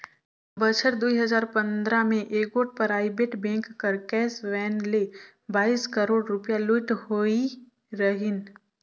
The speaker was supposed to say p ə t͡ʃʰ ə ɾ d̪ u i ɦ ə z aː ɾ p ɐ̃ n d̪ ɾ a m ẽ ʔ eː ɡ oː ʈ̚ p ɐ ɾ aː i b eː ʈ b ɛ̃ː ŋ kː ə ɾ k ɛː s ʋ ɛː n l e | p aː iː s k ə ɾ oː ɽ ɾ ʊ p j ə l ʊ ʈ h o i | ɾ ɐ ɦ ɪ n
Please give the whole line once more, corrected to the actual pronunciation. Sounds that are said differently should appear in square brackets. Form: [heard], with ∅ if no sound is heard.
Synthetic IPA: [b] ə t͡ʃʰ ə ɾ d̪ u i ɦ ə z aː ɾ p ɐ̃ n d̪ ɾ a m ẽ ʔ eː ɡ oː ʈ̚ p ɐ ɾ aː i b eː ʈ b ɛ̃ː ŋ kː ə ɾ k ɛː s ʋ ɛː n l e | [b] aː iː s k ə ɾ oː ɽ ɾ ʊ p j [a] l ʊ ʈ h o i | ɾ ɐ ɦ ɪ n